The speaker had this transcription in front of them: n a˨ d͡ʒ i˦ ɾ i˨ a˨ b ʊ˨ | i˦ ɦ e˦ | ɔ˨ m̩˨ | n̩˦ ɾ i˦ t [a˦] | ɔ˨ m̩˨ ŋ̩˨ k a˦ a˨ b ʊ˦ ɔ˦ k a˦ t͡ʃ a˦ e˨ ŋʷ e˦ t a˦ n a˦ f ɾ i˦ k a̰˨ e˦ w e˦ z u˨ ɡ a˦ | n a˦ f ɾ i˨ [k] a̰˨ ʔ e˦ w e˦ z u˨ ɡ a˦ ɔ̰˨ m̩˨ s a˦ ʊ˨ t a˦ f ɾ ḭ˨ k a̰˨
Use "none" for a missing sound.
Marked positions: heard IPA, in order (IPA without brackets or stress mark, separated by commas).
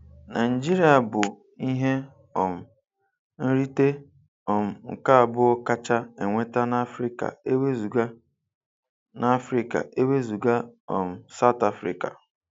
e˦, k